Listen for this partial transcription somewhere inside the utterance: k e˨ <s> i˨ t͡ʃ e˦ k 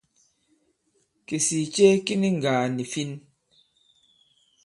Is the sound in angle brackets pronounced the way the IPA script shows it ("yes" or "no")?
yes